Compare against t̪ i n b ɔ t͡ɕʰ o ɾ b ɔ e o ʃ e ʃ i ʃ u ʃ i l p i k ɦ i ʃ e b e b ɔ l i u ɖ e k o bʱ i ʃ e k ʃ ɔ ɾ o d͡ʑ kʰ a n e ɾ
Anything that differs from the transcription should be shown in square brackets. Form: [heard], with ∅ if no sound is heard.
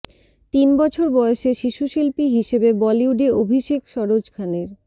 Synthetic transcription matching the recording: t̪ i n b ɔ t͡ɕʰ o ɾ b ɔ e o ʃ e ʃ i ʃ u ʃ i l p i [∅] ɦ i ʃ e b e b ɔ l i u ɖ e [∅] o bʱ i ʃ e k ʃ ɔ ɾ o d͡ʑ kʰ a n e ɾ